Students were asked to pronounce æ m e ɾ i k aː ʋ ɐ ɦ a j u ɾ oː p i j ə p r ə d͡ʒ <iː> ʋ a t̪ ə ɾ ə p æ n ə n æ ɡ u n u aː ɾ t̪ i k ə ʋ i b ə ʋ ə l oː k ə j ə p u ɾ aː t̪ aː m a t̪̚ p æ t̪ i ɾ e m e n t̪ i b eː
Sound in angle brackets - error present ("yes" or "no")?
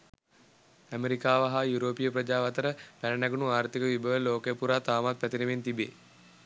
yes